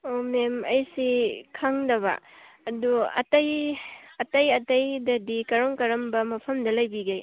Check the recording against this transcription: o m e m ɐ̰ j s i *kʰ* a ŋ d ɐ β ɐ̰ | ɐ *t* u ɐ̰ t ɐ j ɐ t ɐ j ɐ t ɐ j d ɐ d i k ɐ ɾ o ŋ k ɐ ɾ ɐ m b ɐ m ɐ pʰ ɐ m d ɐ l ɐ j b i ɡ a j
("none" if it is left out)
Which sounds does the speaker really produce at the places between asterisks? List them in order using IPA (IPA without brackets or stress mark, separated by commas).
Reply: kʰ, d